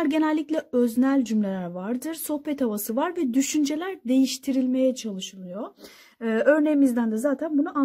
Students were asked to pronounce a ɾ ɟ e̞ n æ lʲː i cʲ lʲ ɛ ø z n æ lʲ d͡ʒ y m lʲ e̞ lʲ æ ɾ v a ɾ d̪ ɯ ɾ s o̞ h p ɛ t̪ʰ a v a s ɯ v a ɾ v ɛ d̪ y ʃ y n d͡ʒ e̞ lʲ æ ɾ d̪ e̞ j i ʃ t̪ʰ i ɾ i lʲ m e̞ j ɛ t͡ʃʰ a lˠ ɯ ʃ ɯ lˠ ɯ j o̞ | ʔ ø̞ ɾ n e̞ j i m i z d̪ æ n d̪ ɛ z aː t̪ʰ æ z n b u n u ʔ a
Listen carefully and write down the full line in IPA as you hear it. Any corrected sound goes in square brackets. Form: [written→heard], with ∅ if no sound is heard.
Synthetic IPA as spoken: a ɾ ɟ e̞ n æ lʲː i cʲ lʲ ɛ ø z n æ lʲ d͡ʒ y m lʲ e̞ lʲ æ ɾ v a ɾ d̪ ɯ ɾ s o̞ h p ɛ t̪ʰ a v a s ɯ v a ɾ v ɛ d̪ y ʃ y n d͡ʒ e̞ lʲ æ ɾ d̪ e̞ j i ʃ t̪ʰ i ɾ i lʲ m e̞ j ɛ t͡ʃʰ a lˠ ɯ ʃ ɯ lˠ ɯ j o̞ | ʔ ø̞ ɾ n e̞ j i m i z d̪ æ n d̪ ɛ z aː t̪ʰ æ [z→∅] n b u n u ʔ a